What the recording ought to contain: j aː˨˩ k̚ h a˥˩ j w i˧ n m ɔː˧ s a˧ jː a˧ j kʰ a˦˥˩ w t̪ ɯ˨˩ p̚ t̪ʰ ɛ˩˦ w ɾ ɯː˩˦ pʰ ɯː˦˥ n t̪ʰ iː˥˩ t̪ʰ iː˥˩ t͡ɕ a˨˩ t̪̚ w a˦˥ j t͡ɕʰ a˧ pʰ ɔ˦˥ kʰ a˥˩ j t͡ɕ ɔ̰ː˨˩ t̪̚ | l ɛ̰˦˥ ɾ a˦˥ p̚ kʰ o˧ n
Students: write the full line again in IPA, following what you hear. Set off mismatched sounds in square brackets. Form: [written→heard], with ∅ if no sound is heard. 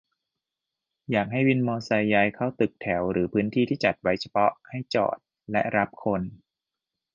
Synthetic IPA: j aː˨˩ k̚ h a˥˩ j w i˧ n m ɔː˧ s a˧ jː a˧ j kʰ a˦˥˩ w t̪ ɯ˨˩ [p̚→k̚] t̪ʰ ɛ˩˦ w ɾ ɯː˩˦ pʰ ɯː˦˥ n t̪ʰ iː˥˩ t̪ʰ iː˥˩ t͡ɕ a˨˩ t̪̚ w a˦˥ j t͡ɕʰ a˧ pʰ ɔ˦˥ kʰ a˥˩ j t͡ɕ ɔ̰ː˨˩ t̪̚ | l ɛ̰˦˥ ɾ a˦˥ p̚ kʰ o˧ n

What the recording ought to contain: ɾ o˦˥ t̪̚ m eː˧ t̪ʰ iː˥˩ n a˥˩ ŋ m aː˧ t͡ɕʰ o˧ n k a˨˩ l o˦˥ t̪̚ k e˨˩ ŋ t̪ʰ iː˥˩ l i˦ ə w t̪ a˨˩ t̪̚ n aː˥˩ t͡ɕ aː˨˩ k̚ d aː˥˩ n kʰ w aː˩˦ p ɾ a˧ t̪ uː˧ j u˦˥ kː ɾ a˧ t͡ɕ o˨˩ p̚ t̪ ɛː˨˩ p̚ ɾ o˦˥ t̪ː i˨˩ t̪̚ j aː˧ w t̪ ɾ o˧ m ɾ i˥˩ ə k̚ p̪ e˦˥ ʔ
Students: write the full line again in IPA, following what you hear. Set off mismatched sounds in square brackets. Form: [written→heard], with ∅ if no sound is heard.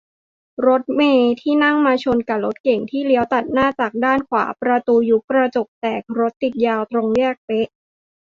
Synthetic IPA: ɾ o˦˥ t̪̚ m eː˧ t̪ʰ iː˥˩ n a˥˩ ŋ m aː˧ t͡ɕʰ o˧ n k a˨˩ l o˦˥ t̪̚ k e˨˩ ŋ t̪ʰ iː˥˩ l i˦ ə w t̪ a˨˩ t̪̚ n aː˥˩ t͡ɕ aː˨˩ k̚ d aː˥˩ n kʰ w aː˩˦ p ɾ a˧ t̪ uː˧ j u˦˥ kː ɾ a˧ t͡ɕ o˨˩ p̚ t̪ ɛː˨˩ [p̚→k̚] ɾ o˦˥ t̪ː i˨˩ t̪̚ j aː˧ w t̪ ɾ o˧ [m→ŋ] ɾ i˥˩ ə k̚ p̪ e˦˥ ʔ

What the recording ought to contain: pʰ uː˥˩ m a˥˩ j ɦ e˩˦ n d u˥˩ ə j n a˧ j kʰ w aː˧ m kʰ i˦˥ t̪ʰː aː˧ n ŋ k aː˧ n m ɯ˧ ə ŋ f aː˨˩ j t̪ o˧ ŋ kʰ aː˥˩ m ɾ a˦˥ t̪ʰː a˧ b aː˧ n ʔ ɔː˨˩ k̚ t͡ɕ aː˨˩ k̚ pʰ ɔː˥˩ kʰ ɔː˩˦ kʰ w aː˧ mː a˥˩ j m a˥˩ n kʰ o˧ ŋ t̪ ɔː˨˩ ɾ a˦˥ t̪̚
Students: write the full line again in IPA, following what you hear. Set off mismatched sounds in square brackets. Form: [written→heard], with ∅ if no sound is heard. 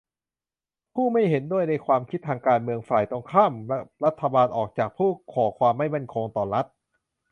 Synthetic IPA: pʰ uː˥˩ m a˥˩ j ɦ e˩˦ n d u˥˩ ə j n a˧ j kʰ w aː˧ m kʰ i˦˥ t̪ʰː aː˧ [n→∅] ŋ k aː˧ n m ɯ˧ ə ŋ f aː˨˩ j t̪ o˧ ŋ kʰ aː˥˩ m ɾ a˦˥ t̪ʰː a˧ b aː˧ n ʔ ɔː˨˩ k̚ t͡ɕ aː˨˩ k̚ pʰ [ɔː˥˩→uː˥˩] kʰ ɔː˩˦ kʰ w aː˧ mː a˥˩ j m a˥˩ n kʰ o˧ ŋ t̪ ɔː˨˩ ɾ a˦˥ t̪̚

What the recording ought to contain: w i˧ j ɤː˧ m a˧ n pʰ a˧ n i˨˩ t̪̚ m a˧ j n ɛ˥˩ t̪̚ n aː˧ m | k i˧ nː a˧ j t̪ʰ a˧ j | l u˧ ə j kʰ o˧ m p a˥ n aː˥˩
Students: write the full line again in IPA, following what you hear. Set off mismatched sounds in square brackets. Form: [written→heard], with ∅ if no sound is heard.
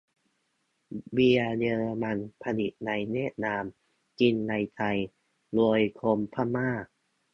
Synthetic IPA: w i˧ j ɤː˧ m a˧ n pʰ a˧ n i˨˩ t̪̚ [m→n] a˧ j n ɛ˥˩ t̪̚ n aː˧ m | k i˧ nː a˧ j t̪ʰ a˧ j | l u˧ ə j kʰ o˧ m [p→pʰ] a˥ [n→m] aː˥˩

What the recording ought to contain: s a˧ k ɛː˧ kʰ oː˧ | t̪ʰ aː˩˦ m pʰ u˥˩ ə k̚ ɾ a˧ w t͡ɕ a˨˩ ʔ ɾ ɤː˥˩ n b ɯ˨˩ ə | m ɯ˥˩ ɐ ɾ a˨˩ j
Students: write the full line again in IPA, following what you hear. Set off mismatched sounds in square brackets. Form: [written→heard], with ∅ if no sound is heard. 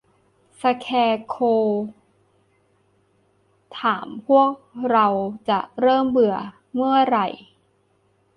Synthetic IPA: s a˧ [k→kʰ] ɛː˧ kʰ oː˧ | t̪ʰ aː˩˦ m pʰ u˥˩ ə k̚ ɾ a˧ w t͡ɕ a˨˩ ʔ ɾ ɤː˥˩ [n→m] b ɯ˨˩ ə | m ɯ˥˩ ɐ ɾ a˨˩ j

